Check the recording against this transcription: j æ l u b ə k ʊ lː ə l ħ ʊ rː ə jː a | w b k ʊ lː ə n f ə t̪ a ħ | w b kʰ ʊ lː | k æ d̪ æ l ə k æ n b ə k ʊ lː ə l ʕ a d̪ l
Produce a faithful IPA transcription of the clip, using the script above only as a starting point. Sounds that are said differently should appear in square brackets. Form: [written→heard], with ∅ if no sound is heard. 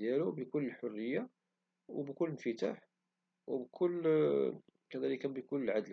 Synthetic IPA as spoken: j æ l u b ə k ʊ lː ə l ħ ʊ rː ə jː a | w b k ʊ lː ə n f ə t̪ a ħ | w b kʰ ʊ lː | k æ d̪ æ l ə k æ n b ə k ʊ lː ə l ʕ a d̪ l